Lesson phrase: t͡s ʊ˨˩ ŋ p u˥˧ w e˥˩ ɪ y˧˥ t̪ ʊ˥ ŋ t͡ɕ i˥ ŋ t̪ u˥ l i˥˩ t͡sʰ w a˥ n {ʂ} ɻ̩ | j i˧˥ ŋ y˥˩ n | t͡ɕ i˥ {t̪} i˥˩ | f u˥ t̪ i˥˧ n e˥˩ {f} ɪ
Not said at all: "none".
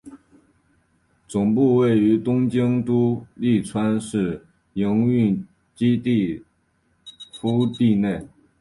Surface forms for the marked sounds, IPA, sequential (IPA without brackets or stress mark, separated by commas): ʂ, t̪, none